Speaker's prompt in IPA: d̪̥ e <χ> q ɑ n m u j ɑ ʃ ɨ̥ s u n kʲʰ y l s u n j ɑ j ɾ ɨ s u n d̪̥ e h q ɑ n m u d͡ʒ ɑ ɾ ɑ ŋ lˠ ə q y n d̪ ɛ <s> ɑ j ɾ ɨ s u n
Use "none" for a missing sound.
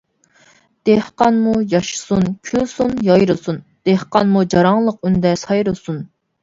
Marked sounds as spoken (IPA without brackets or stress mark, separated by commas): h, s